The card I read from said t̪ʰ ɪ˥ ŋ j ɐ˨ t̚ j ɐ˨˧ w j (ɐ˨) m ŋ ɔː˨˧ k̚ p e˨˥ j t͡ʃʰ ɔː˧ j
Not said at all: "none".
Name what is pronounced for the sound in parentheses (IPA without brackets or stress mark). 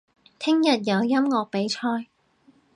ɐ˥